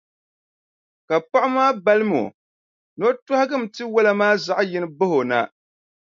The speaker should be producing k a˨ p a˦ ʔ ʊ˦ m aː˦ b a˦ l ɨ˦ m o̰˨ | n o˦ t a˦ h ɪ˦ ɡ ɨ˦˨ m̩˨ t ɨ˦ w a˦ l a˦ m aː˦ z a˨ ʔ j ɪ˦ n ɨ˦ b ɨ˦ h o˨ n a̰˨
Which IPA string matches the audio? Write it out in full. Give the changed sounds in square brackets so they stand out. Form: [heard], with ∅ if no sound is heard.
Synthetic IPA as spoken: k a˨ p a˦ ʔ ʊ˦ m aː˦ b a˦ l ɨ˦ m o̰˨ | n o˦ t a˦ h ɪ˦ ɡ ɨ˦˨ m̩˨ t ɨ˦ w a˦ l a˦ m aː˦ z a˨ ʔ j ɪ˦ n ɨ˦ b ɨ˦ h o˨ n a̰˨